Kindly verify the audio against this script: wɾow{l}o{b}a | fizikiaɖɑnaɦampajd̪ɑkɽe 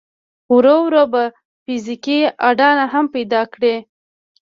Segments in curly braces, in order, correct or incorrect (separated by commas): incorrect, correct